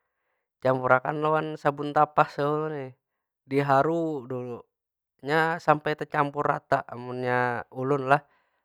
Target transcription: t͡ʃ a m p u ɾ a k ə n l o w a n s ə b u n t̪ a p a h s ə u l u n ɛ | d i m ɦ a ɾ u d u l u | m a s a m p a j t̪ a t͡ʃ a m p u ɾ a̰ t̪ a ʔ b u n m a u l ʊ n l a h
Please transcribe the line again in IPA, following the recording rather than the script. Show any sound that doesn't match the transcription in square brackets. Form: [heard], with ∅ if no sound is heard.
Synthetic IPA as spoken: t͡ʃ a m p u ɾ a k [a] n l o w a n s [a] b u n t̪ a p a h s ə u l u n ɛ | d i [∅] ɦ a ɾ u d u l u | [ɲ] a s a m p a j t̪ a t͡ʃ a m p u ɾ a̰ t̪ a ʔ [m] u n [ɲ] a u l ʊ n l a h